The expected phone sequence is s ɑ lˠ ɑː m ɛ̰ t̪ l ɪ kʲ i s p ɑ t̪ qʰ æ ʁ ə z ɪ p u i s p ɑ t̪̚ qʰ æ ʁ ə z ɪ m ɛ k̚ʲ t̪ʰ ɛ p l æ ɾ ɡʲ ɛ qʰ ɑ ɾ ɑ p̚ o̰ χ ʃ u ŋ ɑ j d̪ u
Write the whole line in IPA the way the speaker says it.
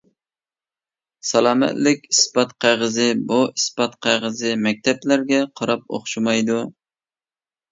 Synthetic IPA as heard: s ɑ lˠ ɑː m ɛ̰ t̪ l ɪ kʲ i s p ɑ t̪ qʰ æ ʁ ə z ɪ b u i s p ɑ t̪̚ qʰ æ ʁ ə z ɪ m ɛ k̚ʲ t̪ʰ ɛ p l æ ɾ ɡʲ ɛ qʰ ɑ ɾ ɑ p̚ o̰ χ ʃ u m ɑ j d̪ u